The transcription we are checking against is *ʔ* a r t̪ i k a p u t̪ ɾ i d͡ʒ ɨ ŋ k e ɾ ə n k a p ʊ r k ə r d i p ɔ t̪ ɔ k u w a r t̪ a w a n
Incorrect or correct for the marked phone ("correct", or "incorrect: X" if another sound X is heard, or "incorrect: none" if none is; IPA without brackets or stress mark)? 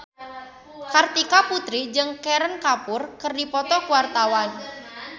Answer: incorrect: k